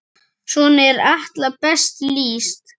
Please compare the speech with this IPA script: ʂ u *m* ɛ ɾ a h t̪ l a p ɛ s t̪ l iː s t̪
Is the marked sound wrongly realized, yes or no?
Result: yes